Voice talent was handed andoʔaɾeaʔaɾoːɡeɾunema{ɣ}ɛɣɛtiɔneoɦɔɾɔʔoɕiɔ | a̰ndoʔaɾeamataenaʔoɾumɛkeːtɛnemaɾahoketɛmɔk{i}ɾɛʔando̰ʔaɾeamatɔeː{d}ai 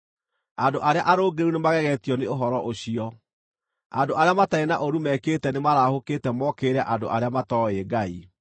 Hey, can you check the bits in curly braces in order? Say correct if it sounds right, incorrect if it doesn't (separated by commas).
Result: correct, incorrect, incorrect